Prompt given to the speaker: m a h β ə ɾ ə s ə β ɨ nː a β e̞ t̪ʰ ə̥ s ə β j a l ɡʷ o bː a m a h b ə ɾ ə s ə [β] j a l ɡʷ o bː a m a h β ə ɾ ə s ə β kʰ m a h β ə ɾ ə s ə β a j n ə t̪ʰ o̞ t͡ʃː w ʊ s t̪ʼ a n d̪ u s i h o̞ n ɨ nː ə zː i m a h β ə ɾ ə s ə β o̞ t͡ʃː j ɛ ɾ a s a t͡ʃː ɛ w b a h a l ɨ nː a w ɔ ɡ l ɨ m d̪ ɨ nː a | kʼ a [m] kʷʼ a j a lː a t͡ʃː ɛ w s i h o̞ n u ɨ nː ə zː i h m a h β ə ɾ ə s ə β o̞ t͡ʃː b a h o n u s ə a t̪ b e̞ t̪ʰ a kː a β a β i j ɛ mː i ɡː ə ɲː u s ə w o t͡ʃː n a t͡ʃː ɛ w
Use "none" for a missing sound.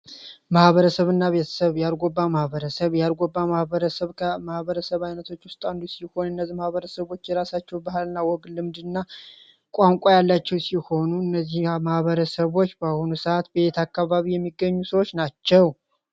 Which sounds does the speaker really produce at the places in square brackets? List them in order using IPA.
β, ŋ

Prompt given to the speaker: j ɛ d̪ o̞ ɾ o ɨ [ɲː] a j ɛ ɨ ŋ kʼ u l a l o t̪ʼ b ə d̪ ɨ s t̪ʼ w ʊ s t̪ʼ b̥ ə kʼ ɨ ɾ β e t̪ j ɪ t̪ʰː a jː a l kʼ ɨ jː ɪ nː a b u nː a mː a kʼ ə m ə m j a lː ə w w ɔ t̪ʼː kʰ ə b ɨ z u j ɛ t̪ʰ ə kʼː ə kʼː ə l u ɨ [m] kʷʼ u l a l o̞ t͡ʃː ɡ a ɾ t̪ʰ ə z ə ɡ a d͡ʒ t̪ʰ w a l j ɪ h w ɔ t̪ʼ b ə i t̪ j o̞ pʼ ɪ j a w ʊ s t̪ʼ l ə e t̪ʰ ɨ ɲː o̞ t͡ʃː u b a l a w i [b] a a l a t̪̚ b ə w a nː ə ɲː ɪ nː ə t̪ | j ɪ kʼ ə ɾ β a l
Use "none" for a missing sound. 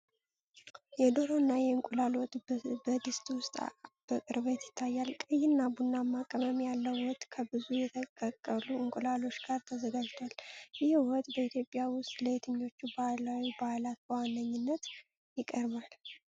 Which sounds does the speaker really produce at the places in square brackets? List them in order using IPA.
nː, ŋ, b

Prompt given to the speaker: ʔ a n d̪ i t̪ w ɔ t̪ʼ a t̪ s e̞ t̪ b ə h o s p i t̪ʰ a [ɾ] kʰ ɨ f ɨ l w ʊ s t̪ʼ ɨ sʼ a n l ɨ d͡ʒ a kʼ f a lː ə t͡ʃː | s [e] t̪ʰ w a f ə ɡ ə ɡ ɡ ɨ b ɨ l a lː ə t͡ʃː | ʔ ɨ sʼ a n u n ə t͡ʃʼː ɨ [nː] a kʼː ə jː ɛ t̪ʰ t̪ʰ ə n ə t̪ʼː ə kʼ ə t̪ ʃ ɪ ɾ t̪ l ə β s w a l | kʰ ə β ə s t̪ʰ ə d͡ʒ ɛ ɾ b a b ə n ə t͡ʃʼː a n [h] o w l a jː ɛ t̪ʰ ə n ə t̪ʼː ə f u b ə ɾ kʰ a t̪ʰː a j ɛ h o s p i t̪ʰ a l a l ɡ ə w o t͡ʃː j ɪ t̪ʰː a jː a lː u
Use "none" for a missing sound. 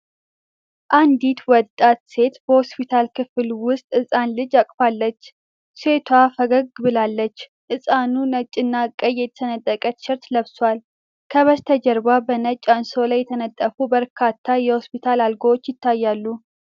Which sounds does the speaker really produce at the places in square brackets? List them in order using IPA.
l, e, nː, s

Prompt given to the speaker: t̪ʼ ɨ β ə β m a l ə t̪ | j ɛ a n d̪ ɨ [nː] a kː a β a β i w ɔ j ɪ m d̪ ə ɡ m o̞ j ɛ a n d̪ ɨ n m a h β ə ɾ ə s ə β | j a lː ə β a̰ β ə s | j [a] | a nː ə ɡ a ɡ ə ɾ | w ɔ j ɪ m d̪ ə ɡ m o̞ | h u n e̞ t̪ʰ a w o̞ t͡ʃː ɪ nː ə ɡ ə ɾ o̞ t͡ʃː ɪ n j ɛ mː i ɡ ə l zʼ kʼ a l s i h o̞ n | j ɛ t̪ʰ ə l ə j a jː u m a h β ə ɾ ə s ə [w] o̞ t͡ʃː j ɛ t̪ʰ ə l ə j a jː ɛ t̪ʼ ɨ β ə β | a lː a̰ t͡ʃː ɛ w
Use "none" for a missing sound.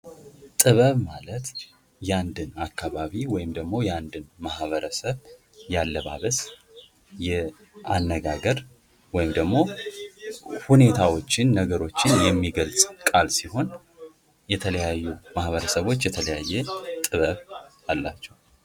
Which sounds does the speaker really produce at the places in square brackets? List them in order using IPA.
n, ɛ, β

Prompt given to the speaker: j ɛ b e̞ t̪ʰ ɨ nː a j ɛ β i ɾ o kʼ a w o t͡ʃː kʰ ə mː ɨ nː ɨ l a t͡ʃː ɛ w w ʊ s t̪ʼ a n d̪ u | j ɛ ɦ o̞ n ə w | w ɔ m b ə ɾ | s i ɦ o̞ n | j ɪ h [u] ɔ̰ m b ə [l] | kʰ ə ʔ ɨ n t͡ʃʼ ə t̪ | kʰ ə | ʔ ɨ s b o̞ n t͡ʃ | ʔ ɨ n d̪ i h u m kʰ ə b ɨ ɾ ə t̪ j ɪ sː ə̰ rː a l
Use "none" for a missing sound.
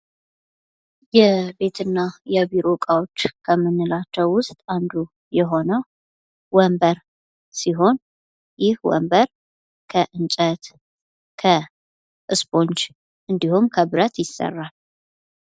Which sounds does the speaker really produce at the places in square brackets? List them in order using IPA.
w, ɾ

